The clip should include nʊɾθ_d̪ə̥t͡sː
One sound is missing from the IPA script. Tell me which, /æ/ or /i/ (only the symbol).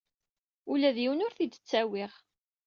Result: i